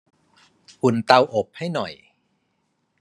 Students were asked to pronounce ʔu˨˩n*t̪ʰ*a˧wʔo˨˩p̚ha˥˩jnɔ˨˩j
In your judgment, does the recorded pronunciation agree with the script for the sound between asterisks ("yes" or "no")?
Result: no